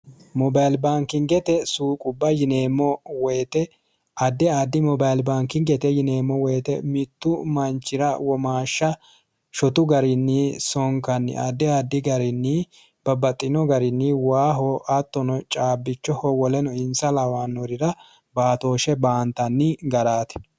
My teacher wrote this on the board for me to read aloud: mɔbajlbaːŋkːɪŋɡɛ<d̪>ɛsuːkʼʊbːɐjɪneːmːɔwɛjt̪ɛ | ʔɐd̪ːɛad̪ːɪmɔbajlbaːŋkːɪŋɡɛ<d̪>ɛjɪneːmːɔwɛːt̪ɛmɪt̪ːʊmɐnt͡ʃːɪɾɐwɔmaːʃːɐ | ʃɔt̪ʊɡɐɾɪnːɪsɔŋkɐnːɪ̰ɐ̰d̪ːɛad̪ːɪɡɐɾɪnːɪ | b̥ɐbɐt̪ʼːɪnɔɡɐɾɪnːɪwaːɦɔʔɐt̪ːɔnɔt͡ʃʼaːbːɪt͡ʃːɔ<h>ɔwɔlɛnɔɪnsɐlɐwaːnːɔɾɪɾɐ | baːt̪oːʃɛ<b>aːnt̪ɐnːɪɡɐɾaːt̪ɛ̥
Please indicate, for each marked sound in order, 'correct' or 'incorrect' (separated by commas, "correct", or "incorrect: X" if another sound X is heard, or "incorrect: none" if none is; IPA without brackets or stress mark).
incorrect: t̪, incorrect: t̪, correct, correct